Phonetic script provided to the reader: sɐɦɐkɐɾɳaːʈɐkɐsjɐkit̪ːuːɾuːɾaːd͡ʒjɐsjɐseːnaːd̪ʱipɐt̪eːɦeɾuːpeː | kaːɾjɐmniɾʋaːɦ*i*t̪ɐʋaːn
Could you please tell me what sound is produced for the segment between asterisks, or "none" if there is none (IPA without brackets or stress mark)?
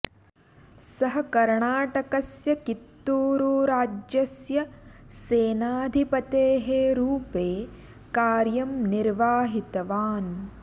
i